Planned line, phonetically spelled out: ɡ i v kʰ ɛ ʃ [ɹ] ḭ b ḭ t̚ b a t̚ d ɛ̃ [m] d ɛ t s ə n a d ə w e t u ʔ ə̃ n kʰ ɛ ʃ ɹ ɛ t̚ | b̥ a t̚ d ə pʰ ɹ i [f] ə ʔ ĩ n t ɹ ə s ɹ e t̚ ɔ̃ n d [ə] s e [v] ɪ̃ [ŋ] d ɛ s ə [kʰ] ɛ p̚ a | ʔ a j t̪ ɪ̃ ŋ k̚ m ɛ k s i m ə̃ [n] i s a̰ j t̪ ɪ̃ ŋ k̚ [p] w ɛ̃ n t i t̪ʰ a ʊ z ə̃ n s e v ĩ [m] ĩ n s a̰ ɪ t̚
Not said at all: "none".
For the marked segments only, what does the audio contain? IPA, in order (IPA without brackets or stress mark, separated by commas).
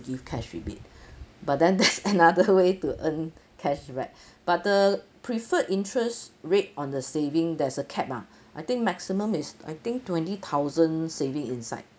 ɹ, n, f, ə, v, ŋ, kʰ, m, t, ŋ